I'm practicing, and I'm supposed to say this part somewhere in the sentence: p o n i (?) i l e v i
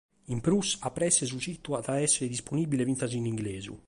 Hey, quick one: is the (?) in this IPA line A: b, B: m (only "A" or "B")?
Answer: A